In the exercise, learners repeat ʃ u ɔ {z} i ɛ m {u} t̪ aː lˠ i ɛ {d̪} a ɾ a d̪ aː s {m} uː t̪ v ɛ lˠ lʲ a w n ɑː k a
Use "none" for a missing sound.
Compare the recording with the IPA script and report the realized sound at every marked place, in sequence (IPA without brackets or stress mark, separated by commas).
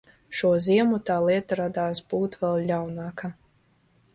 z, u, t̪, b